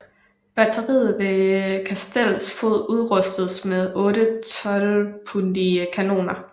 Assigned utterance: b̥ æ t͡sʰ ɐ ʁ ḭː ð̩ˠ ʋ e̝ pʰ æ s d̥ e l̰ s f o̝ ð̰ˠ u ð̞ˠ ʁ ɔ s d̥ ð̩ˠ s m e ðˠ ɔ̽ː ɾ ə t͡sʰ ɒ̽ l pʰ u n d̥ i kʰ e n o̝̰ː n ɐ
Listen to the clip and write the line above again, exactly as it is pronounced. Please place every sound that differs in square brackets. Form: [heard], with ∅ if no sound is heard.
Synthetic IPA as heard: b̥ æ t͡sʰ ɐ ʁ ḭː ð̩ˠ ʋ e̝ [kʰ] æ s d̥ e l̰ s f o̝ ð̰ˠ u ð̞ˠ ʁ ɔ s d̥ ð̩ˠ s m e ðˠ ɔ̽ː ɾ ə t͡sʰ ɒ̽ l pʰ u n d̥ i kʰ [æ] n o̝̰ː n ɐ